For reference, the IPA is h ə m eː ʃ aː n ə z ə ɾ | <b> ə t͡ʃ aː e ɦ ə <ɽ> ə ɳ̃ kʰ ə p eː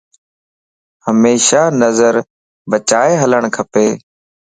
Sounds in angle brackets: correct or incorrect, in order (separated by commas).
correct, incorrect